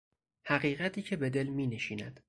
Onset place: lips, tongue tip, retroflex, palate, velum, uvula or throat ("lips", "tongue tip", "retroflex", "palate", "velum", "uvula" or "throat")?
throat